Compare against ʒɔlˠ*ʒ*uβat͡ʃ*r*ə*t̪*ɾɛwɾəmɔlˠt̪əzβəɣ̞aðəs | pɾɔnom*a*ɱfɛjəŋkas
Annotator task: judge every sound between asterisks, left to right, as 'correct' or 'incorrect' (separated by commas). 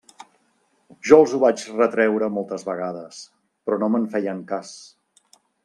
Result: incorrect, correct, correct, incorrect